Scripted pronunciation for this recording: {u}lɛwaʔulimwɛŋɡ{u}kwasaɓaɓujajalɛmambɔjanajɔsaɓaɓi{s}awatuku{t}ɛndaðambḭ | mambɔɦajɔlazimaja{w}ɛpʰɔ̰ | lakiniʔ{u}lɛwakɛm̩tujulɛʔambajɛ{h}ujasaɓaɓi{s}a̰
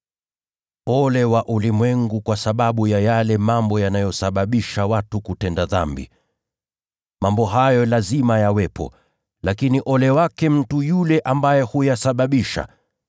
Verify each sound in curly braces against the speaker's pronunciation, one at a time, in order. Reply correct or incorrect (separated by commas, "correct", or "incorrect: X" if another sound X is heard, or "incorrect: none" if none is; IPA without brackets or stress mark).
incorrect: ɔ, correct, incorrect: ʃ, correct, correct, incorrect: ɔ, correct, incorrect: ʃ